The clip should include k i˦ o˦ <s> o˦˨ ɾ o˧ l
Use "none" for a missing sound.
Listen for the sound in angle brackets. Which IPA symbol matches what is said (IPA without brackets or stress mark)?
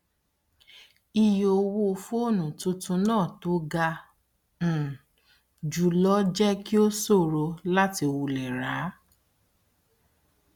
s